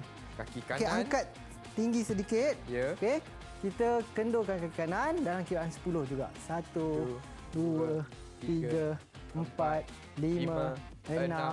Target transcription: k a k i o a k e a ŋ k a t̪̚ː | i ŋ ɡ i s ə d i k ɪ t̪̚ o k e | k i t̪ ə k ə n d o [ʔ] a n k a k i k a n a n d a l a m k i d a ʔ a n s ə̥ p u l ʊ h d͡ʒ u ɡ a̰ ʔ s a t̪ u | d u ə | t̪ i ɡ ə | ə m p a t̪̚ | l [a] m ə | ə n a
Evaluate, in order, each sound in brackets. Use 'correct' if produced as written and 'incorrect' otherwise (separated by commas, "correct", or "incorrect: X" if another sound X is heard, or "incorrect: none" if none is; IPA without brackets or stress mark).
incorrect: k, incorrect: i